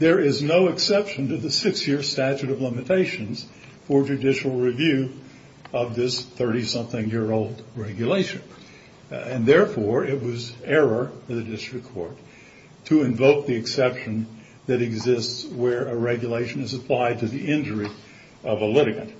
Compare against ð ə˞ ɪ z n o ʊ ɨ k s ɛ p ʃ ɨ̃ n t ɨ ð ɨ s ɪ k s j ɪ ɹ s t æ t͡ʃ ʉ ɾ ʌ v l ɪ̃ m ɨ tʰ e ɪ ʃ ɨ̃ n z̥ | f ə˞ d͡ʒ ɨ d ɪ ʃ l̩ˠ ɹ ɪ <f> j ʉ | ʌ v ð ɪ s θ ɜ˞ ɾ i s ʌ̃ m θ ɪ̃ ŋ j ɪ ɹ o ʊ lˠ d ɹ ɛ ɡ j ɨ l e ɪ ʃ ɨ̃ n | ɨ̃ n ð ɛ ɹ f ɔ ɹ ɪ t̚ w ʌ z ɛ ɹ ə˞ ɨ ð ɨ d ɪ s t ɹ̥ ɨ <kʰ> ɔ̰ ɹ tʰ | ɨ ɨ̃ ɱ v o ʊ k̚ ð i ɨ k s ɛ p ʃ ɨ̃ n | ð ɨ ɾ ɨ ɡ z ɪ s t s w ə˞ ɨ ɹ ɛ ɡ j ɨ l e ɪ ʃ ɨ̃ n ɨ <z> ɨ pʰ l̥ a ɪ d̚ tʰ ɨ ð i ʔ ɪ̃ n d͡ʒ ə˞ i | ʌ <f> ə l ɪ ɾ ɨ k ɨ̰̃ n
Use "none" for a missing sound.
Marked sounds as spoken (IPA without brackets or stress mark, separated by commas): v, kʰ, z, v